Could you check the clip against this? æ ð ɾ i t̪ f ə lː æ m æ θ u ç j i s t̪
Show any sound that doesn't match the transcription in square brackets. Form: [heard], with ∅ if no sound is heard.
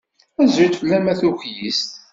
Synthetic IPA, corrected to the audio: æ [z] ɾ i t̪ f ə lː æ m æ θ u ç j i s t̪